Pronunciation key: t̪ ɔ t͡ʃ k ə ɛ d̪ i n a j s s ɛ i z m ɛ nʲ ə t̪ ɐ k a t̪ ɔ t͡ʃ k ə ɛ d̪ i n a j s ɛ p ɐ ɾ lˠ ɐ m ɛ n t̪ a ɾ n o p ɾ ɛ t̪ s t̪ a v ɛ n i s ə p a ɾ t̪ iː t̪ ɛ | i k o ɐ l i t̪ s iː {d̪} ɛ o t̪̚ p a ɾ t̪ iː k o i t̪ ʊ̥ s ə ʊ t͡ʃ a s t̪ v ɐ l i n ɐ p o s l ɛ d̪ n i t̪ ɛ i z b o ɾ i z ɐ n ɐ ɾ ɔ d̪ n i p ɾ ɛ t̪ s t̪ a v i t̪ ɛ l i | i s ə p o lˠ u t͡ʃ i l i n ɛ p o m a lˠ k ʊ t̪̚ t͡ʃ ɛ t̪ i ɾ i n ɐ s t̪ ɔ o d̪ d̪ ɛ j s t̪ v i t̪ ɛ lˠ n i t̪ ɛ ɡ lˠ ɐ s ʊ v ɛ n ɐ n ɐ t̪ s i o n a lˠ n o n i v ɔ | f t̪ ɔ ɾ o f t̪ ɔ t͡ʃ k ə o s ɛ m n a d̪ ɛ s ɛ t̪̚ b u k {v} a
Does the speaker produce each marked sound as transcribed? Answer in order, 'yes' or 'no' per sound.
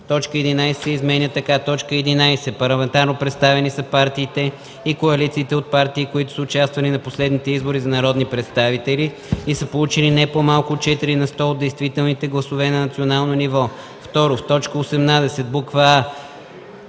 no, yes

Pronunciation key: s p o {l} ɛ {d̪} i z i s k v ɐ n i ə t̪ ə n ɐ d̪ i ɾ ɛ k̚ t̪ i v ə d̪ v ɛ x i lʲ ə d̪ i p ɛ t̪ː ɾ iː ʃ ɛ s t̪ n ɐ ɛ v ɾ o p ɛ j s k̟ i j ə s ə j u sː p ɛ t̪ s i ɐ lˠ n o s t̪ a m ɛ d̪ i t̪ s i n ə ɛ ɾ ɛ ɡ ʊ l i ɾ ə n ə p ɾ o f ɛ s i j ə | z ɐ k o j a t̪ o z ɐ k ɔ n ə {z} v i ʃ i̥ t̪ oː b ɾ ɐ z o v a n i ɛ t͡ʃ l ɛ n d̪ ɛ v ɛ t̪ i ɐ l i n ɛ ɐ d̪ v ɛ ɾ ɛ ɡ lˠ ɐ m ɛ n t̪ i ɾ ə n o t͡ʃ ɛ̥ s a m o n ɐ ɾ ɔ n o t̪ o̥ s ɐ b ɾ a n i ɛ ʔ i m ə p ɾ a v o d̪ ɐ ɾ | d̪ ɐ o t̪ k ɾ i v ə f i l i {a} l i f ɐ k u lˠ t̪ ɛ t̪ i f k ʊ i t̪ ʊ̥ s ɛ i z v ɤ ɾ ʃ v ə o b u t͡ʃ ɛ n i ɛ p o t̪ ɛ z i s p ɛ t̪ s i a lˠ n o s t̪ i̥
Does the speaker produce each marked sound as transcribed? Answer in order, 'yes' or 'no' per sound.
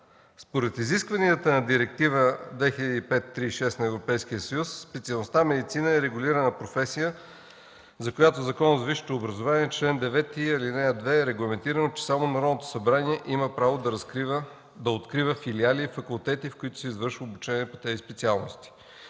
no, no, yes, yes

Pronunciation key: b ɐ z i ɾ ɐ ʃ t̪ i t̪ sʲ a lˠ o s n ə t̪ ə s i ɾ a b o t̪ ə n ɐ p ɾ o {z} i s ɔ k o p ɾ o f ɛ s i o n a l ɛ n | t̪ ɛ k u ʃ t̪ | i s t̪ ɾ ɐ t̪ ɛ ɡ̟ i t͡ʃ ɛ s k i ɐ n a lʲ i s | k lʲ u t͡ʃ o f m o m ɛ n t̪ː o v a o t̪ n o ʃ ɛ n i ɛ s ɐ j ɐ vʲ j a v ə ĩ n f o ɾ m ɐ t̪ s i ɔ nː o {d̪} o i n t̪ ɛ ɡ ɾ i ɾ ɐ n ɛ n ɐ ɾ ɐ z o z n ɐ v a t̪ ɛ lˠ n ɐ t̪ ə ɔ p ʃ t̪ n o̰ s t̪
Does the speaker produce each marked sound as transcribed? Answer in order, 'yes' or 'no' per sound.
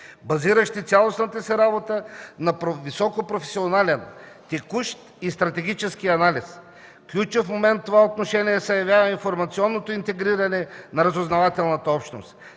no, no

